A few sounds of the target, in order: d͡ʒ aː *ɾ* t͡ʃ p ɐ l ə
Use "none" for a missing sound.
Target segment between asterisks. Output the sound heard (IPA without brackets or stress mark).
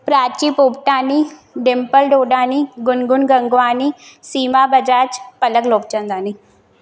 none